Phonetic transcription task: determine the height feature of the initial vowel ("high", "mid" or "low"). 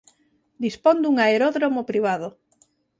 high